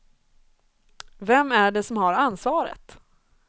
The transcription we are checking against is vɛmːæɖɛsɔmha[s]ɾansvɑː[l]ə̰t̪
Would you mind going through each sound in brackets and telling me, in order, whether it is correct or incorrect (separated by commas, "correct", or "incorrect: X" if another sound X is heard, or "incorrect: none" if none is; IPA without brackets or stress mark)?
incorrect: none, incorrect: ɾ